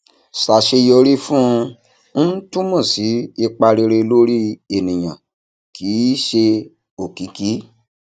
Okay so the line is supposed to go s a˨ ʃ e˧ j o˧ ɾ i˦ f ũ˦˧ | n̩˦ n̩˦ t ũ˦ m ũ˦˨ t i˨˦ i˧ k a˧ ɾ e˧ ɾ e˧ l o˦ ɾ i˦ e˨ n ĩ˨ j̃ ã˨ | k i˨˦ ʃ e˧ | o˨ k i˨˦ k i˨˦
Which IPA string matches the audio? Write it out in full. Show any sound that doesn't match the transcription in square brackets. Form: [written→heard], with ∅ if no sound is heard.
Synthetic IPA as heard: s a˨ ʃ e˧ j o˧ ɾ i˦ f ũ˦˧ | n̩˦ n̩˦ t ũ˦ m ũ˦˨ [t→s] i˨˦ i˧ [k→k͡p] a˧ ɾ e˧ ɾ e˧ l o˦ ɾ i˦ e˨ n ĩ˨ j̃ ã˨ | k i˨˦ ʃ e˧ | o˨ k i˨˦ k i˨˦